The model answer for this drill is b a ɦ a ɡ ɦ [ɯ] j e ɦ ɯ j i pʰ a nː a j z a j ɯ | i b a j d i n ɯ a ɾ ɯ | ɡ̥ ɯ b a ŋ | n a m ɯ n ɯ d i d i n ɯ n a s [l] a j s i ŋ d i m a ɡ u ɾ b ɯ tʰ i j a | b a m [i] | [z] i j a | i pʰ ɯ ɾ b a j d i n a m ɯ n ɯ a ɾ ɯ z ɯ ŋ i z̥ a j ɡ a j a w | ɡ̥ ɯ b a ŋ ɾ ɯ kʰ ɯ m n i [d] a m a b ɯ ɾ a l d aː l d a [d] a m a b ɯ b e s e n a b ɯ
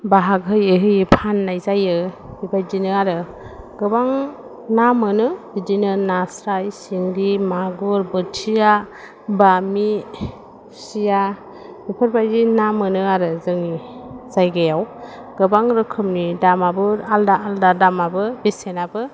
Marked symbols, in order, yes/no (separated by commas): yes, no, yes, no, yes, yes